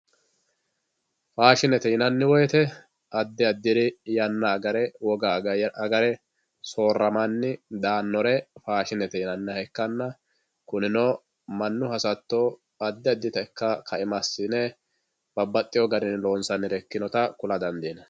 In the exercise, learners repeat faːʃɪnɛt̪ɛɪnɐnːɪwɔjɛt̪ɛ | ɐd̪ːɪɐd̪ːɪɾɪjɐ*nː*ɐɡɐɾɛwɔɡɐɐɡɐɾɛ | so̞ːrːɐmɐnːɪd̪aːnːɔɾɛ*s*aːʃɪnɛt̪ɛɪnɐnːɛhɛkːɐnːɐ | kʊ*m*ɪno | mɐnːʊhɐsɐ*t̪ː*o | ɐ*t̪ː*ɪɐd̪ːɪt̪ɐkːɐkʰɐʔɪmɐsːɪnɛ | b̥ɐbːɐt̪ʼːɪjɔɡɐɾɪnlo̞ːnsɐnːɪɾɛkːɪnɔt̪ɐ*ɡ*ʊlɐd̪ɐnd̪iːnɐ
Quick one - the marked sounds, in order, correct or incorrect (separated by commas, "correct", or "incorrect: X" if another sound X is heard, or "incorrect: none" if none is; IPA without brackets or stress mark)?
correct, incorrect: f, incorrect: n, correct, incorrect: d̪ː, incorrect: k